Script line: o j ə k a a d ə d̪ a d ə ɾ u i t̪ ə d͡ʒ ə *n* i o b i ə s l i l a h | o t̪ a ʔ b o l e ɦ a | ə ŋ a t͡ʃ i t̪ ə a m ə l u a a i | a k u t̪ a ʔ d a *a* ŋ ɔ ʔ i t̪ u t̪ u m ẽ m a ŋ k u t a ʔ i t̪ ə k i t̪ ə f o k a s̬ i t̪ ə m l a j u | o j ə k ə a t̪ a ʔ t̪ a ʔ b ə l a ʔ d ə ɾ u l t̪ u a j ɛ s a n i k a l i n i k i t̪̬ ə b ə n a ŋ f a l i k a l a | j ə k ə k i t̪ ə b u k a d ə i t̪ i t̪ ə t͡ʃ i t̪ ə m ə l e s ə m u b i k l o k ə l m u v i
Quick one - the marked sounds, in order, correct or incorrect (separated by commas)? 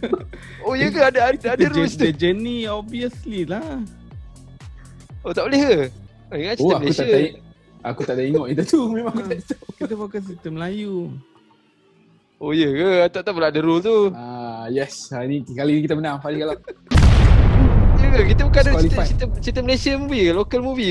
correct, incorrect